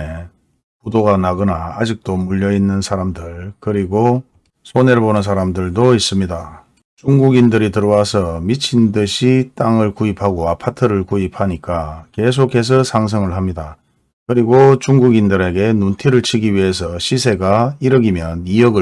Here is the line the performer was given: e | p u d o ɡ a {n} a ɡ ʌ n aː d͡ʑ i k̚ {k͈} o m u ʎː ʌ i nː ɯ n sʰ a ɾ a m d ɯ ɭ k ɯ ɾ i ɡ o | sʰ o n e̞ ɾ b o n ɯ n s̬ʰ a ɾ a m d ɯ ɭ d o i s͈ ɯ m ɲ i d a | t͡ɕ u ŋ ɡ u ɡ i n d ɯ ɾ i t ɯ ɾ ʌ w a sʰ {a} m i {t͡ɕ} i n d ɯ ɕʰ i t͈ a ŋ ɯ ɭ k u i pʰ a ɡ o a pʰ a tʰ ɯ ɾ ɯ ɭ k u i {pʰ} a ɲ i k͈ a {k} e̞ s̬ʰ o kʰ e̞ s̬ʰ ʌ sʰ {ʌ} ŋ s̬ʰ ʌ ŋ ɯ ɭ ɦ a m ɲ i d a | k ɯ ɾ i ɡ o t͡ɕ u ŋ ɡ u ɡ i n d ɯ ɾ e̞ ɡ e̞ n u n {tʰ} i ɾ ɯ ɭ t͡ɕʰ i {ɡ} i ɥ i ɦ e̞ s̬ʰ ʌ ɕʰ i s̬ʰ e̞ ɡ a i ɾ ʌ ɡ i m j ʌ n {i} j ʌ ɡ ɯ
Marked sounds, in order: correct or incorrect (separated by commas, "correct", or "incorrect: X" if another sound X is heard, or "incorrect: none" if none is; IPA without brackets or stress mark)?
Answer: correct, incorrect: t͈, incorrect: ʌ, incorrect: t͡ɕʰ, correct, correct, incorrect: a, correct, correct, correct